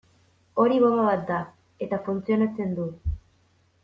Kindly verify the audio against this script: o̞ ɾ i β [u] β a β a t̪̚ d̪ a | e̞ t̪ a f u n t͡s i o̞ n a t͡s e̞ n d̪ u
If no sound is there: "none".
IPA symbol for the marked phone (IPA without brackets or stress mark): o